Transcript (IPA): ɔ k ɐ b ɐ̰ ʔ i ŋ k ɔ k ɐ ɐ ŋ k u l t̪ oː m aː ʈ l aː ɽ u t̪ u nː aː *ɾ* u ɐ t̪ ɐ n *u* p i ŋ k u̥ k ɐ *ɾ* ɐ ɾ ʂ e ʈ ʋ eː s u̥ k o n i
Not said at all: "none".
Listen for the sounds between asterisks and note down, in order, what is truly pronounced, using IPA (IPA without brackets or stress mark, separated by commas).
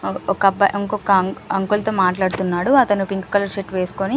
ɽ, u, l